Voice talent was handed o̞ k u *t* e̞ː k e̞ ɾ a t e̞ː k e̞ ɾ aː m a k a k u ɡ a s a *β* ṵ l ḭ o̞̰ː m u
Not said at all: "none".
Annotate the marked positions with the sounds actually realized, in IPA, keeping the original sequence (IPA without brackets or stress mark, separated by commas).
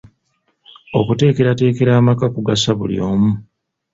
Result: t, β